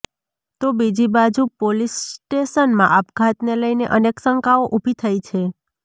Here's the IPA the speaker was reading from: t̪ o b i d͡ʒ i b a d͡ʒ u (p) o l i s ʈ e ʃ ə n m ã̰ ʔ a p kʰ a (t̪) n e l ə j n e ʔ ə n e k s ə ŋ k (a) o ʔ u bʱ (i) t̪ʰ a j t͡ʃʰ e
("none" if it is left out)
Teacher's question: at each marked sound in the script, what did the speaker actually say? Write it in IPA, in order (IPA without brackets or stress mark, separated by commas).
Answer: p, t̪, a, i